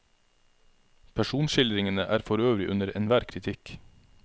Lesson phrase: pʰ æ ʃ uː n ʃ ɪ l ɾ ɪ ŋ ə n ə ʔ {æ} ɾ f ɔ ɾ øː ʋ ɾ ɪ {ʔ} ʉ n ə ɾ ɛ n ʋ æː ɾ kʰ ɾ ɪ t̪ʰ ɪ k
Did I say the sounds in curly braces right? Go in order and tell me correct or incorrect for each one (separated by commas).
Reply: incorrect, correct